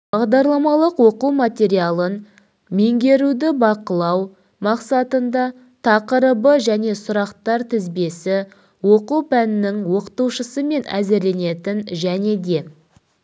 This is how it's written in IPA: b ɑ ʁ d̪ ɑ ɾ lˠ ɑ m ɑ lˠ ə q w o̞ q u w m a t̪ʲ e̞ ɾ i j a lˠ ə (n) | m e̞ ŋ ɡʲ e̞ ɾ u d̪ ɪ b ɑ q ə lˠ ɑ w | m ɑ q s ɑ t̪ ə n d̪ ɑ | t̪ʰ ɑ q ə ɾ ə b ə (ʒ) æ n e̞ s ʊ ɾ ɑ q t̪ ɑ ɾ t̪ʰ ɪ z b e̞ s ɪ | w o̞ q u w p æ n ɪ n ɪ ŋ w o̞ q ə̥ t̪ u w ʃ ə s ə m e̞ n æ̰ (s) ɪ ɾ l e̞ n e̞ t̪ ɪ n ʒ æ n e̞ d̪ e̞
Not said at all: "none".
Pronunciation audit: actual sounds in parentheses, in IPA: n, ʒ, z

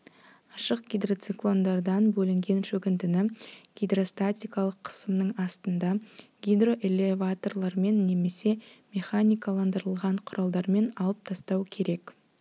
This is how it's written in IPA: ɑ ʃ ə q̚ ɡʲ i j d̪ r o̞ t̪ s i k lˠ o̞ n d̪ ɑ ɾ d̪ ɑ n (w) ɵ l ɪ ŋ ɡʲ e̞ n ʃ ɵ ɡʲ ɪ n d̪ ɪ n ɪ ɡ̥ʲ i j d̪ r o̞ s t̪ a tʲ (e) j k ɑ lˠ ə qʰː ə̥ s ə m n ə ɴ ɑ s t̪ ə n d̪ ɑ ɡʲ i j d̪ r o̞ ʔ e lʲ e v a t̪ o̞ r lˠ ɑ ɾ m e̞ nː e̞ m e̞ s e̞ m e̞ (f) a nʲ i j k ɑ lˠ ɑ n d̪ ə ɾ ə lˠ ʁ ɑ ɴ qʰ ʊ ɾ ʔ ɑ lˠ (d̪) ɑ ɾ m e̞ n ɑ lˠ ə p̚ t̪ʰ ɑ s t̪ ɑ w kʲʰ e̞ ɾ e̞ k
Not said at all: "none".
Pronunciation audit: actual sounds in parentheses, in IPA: b, i, χ, d̪

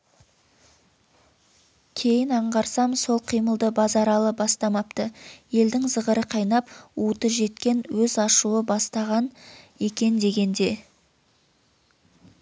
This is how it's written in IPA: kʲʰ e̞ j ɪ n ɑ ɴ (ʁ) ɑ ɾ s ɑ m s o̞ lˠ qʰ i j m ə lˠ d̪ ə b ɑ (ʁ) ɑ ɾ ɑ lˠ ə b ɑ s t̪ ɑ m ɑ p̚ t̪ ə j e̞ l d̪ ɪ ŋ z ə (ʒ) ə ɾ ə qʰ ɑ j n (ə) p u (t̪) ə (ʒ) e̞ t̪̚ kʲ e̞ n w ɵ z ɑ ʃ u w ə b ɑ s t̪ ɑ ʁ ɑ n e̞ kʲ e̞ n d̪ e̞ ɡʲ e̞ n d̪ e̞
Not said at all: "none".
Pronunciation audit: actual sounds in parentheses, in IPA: ʁ, z, ʁ, ɑ, t̪, ʒ

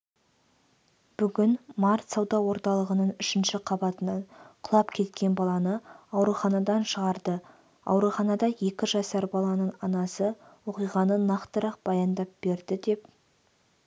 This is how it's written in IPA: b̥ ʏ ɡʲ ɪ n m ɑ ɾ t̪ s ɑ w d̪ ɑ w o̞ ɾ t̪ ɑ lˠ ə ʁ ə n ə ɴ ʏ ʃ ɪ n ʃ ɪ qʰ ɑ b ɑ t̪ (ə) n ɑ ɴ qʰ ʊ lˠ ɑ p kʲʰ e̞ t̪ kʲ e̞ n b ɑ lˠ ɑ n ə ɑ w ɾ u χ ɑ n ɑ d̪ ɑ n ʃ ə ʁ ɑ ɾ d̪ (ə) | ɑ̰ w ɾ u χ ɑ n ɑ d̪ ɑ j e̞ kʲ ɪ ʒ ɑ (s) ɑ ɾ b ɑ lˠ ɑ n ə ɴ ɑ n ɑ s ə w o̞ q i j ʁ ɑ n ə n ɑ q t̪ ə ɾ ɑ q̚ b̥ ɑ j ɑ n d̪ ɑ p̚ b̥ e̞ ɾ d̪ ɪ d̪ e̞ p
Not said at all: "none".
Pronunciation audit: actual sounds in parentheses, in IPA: ə, ə, s

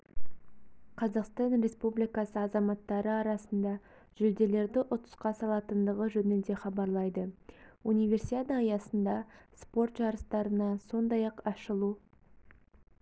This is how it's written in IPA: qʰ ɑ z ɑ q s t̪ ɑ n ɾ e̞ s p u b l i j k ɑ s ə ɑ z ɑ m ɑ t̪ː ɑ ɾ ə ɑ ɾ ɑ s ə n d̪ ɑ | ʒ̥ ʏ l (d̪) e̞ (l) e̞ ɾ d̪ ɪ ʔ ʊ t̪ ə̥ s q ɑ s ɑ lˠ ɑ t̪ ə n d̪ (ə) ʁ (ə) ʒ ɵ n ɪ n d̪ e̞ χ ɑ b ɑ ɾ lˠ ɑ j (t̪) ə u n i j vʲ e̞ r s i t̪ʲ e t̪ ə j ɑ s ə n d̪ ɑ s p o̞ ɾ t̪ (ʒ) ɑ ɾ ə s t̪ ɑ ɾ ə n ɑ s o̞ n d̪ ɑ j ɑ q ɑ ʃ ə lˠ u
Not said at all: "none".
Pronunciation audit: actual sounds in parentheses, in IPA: d̪, l, ə, ə, d̪, ʒ

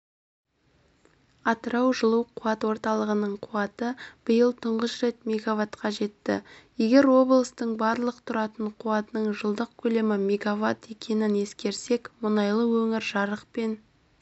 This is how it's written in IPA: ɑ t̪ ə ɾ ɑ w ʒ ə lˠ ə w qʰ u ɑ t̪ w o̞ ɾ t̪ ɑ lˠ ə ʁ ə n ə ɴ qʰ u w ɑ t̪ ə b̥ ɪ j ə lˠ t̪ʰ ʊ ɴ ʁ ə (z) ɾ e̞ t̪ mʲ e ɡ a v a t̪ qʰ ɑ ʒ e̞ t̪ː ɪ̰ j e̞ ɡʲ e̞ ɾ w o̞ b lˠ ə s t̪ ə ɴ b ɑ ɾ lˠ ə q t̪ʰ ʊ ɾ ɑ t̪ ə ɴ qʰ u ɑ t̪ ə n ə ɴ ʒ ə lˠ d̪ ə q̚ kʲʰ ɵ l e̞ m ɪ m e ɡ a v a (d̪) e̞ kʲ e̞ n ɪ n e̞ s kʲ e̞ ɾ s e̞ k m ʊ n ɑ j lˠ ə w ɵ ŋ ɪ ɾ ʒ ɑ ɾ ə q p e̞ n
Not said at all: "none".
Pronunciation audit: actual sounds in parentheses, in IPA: s, t̪

